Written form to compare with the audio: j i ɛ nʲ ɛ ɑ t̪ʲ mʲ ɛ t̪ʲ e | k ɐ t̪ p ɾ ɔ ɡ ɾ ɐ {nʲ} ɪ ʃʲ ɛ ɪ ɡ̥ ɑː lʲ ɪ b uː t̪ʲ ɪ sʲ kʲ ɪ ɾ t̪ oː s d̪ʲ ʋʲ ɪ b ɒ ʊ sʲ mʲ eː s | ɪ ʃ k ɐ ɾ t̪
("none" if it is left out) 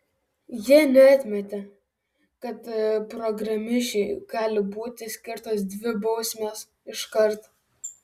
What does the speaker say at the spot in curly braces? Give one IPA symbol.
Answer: mʲ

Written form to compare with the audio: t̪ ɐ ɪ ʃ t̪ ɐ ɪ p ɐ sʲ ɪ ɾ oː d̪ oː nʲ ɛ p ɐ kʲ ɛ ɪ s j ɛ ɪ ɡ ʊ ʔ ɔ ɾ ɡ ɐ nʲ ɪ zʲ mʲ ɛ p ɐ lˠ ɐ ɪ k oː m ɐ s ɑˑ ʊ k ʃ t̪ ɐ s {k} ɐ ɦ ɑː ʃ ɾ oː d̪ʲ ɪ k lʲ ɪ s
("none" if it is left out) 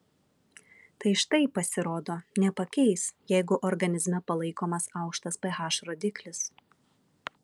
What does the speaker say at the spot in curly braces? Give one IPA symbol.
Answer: p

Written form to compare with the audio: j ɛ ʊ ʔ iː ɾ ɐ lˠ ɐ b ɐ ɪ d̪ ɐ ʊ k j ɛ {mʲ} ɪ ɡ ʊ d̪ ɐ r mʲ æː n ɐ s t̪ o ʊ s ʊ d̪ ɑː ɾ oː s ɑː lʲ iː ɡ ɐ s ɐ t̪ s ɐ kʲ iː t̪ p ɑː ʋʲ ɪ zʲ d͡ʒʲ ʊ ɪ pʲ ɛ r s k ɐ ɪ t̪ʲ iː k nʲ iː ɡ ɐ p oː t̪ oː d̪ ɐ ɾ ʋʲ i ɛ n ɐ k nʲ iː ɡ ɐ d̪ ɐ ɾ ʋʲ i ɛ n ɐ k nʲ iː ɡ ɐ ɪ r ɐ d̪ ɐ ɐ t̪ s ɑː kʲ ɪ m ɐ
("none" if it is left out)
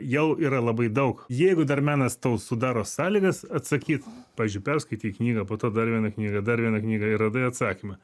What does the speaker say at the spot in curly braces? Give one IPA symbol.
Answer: none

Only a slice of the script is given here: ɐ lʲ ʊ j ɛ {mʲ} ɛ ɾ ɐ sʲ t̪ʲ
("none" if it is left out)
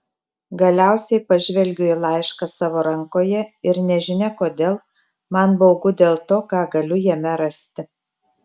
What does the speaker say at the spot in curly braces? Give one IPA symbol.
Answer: mʲ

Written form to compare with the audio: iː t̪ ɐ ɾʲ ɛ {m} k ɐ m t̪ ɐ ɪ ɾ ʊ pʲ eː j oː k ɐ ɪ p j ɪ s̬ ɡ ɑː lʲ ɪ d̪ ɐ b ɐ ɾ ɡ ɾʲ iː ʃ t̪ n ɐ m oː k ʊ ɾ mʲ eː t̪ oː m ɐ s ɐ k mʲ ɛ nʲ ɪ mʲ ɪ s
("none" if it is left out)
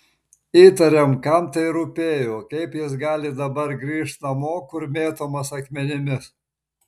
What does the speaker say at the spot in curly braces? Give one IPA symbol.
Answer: m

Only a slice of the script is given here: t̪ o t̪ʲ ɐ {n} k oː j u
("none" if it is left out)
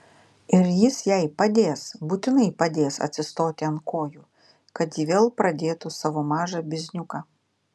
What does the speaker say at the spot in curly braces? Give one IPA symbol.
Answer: n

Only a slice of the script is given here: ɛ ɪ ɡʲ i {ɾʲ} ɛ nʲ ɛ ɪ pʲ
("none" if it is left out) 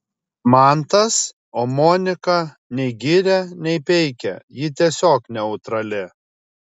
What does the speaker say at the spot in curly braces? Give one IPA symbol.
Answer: ɾʲ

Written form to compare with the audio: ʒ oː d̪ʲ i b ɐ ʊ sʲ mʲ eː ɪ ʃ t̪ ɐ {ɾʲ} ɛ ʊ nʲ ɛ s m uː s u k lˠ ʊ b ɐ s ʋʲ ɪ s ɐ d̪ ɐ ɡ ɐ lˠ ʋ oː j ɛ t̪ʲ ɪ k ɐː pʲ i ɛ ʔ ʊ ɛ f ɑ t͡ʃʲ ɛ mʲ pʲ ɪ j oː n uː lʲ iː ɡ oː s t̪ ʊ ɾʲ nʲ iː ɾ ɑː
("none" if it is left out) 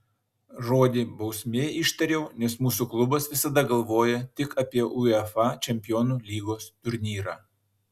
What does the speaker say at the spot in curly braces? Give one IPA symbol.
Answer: ɾʲ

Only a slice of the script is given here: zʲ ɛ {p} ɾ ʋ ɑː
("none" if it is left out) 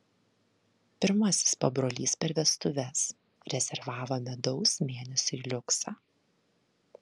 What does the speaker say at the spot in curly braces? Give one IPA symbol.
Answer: none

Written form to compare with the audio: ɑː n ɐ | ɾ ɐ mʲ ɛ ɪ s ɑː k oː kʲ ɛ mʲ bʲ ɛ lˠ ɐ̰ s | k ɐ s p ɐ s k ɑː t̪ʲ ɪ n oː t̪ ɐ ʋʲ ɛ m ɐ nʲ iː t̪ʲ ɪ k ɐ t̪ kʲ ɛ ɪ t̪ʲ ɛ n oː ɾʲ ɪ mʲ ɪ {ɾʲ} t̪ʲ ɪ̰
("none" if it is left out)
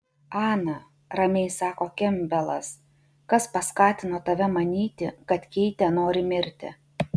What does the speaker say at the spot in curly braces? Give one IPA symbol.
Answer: ɾʲ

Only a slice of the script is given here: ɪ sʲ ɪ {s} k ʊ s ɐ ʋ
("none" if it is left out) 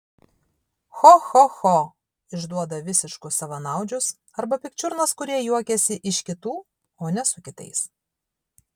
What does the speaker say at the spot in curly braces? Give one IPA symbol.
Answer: ʃ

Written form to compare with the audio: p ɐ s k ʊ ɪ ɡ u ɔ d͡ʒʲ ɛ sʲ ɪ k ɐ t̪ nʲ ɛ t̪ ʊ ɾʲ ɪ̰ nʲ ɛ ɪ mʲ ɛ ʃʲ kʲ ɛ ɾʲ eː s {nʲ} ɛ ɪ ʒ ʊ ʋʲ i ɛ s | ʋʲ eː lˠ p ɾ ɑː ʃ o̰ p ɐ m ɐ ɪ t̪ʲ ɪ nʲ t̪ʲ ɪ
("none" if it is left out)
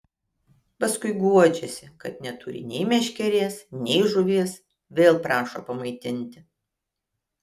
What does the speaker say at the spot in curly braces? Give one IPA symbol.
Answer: nʲ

